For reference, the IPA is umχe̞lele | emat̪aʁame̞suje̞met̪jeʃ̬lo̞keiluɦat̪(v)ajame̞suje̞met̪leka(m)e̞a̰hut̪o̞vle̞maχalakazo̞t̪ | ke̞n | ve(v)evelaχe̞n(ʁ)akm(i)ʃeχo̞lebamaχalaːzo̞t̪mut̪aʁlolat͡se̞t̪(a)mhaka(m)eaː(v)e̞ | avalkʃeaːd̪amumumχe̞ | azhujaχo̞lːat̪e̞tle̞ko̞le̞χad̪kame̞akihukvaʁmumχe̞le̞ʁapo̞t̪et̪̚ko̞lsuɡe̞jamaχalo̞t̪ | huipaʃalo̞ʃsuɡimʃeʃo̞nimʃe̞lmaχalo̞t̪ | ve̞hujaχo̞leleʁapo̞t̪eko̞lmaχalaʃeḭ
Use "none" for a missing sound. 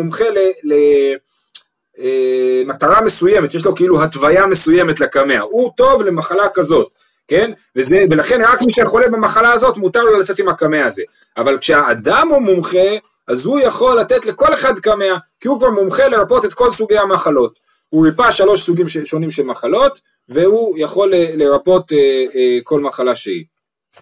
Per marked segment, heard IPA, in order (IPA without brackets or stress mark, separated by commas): v, m, z, ʁ, i, i, m, z